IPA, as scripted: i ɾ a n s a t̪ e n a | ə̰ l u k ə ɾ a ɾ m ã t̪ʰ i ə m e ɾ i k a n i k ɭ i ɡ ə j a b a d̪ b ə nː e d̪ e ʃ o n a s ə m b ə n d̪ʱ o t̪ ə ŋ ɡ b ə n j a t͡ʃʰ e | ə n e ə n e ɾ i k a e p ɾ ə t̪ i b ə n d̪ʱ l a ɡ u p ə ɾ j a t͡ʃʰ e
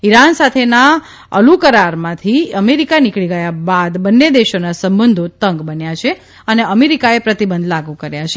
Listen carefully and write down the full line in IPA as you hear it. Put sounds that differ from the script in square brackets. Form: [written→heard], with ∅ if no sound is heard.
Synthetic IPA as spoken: i ɾ a n s a [t̪→t̪ʰ] e n a | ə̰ l u k ə ɾ a ɾ m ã t̪ʰ i ə m e ɾ i k a n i k ɭ i ɡ ə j a b a d̪ b ə nː e d̪ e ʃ o n a s ə m b ə n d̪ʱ o t̪ ə ŋ ɡ b ə n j a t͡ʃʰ e | ə n e ə [n→m] e ɾ i k a e p ɾ ə t̪ i b ə n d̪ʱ l a ɡ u [p→k] ə ɾ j a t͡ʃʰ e